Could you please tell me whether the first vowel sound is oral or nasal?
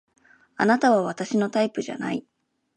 oral